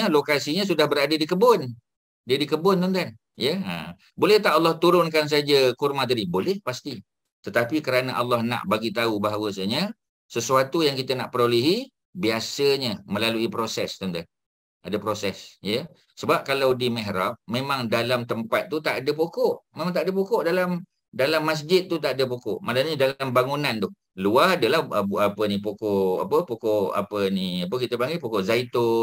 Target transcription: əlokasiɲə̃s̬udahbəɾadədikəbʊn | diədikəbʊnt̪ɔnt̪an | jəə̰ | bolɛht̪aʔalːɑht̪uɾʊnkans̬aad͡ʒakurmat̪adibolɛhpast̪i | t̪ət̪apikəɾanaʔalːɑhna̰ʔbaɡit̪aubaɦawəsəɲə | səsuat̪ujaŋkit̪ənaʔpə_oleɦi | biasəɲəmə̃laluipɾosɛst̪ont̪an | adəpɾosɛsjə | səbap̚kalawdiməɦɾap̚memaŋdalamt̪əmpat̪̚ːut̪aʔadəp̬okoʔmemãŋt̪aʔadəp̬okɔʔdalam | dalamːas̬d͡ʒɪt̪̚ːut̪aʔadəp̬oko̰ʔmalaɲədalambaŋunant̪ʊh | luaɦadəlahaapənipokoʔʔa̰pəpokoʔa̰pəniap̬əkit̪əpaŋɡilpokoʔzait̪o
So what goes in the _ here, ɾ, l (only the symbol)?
ɾ